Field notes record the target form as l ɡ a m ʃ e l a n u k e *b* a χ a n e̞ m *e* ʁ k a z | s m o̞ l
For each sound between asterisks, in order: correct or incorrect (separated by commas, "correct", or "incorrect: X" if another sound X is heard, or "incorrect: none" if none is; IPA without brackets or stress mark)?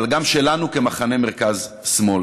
incorrect: m, correct